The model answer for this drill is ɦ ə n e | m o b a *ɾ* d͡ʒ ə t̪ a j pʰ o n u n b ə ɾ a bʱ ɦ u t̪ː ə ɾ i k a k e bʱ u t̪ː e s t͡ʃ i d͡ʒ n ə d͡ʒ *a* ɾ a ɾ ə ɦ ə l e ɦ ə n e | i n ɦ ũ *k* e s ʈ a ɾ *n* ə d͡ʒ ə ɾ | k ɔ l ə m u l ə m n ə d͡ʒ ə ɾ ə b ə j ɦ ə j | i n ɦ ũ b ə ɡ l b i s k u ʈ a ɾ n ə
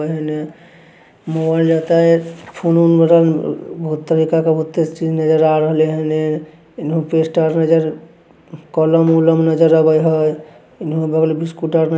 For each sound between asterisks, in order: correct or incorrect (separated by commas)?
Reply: incorrect, incorrect, incorrect, correct